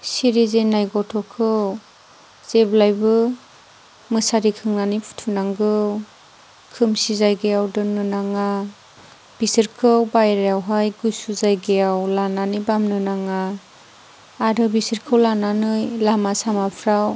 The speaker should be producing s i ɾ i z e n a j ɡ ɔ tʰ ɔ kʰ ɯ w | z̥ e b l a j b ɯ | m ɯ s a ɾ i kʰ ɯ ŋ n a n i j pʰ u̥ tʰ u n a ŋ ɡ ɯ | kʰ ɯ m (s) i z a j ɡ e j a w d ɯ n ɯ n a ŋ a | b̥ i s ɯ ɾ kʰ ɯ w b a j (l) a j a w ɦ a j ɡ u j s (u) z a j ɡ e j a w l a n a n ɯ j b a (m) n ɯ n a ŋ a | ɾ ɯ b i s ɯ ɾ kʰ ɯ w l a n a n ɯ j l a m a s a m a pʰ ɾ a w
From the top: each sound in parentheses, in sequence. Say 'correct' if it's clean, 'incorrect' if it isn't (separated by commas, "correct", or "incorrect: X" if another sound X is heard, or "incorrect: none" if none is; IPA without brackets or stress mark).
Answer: correct, incorrect: ɾ, correct, correct